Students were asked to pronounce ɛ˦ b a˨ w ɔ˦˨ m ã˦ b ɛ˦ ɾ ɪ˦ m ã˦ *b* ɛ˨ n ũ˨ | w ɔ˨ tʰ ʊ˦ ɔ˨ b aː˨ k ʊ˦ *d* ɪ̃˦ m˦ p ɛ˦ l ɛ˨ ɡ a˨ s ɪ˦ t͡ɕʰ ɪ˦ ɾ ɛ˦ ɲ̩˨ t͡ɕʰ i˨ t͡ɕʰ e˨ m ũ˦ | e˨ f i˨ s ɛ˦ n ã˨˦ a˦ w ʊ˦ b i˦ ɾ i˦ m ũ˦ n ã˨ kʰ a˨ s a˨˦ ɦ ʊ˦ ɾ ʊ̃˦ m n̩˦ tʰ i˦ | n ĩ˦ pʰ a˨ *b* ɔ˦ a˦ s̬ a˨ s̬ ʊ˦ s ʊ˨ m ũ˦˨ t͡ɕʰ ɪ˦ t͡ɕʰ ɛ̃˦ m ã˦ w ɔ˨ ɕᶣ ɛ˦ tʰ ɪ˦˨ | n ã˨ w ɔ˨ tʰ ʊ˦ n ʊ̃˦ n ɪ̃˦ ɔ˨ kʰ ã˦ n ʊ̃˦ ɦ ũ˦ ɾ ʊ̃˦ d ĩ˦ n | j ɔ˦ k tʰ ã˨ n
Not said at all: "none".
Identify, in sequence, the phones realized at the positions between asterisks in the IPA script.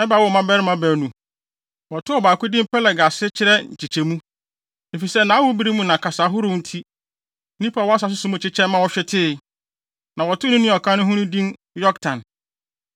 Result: b, d, w

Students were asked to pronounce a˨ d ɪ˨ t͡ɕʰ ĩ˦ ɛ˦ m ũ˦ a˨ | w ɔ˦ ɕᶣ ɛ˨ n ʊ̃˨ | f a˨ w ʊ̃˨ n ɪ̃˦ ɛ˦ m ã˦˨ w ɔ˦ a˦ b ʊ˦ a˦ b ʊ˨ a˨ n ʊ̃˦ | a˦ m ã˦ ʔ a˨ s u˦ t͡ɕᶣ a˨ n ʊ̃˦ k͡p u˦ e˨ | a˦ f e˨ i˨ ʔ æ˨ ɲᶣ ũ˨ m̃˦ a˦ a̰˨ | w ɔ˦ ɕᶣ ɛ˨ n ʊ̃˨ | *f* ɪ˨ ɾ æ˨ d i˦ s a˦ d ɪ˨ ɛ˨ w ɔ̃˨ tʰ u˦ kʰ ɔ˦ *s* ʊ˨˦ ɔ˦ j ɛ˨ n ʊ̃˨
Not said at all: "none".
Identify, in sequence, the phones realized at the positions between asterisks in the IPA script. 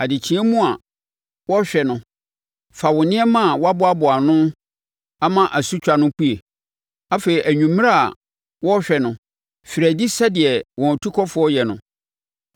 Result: f, f

